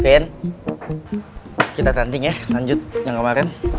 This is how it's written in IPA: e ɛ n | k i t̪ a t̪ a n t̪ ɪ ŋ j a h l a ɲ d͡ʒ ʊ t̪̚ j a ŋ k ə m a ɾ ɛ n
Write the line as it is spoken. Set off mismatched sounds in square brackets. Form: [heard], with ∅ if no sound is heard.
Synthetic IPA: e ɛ n | k i t̪ a t̪ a n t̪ ɪ ŋ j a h l a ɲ d͡ʒ ʊ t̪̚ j a ŋ k ə m a ɾ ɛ n